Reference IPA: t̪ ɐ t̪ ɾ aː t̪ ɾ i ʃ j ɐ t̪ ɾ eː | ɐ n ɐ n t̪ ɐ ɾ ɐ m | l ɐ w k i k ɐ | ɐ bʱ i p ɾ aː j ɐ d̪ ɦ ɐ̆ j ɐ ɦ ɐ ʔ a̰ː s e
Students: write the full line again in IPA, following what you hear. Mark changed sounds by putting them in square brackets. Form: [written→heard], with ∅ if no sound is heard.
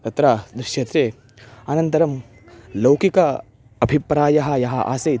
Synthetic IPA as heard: t̪ ɐ t̪ ɾ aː [t̪→d̪] ɾ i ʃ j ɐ t̪ ɾ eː | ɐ n ɐ n t̪ ɐ ɾ ɐ m | l ɐ w k i k ɐ | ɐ bʱ i p ɾ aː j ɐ [d̪→∅] ɦ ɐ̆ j ɐ ɦ ɐ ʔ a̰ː s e